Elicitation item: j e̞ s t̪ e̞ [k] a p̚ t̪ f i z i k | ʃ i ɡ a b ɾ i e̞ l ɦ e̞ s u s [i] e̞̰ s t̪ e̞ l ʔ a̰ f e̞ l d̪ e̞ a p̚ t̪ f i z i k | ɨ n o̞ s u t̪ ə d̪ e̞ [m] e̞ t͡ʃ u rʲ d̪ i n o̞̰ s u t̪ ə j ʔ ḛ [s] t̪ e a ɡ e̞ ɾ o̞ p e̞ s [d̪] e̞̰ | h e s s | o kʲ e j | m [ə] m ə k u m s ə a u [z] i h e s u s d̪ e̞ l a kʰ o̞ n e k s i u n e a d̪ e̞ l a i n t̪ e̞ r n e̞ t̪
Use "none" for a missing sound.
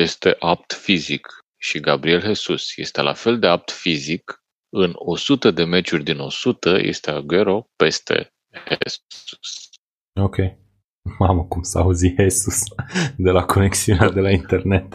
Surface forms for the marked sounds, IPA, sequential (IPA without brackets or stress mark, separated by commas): ʔ, j, m, s, t̪, a, z